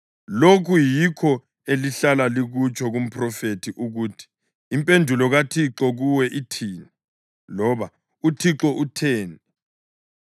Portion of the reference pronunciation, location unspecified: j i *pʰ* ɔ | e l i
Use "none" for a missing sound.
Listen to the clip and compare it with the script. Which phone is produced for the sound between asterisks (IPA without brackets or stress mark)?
kʰ